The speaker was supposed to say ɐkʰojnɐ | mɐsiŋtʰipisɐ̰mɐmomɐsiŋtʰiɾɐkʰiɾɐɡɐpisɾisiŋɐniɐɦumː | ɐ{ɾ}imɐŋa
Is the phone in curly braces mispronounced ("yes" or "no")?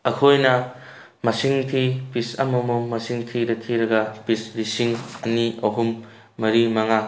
no